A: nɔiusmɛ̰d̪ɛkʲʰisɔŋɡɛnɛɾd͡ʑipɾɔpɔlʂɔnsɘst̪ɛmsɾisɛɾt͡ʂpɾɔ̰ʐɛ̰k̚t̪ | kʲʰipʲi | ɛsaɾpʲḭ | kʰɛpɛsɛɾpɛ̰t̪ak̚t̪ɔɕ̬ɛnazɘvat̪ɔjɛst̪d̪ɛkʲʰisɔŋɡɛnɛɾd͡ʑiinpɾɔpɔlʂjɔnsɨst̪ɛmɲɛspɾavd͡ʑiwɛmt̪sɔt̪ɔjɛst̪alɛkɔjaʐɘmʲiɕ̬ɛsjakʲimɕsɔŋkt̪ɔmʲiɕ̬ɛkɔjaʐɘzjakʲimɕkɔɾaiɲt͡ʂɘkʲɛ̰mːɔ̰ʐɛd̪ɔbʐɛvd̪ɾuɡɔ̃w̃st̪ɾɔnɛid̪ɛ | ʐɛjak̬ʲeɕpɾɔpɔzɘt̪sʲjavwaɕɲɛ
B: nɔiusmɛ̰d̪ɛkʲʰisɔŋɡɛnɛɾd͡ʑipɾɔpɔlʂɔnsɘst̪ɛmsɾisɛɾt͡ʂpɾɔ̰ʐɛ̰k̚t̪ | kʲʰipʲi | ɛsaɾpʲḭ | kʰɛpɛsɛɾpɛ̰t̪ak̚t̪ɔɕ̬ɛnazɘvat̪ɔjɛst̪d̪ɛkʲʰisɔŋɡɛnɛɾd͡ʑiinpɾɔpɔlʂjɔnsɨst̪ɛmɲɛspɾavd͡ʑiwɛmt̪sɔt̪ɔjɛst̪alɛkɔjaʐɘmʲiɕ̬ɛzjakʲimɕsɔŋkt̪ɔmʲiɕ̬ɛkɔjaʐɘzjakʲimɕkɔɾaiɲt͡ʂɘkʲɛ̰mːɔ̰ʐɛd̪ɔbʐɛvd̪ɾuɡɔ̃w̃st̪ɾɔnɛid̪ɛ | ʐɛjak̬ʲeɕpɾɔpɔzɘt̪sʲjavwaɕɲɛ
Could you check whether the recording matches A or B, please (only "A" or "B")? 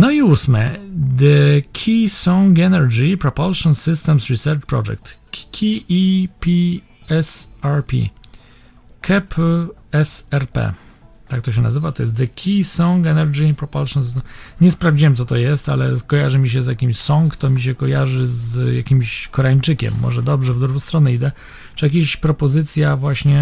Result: B